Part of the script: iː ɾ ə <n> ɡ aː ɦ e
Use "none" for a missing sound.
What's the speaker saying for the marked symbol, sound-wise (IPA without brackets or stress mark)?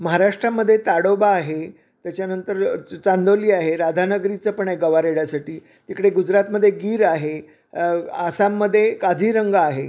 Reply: ŋ